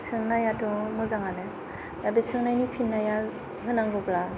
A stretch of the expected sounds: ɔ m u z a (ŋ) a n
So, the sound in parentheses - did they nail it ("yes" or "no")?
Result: yes